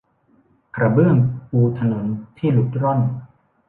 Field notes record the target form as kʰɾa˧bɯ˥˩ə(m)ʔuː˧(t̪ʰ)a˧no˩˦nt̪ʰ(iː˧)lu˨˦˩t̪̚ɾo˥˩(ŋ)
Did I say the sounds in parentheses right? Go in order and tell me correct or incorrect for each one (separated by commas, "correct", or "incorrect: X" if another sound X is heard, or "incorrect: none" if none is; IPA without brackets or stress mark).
incorrect: ŋ, correct, incorrect: iː˥˩, incorrect: n